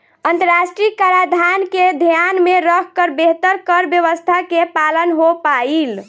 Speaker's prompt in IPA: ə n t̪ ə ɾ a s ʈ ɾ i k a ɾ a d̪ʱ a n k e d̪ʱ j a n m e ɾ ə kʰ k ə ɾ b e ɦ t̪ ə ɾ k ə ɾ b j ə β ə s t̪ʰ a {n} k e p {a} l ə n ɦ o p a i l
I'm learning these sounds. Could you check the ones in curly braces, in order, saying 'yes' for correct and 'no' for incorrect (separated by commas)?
no, yes